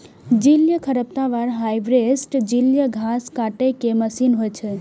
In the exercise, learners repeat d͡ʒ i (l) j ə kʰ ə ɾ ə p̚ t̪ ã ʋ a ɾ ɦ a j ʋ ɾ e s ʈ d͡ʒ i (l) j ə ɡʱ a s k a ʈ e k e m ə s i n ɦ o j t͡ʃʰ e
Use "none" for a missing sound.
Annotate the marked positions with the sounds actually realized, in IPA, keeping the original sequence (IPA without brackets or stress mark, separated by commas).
l, l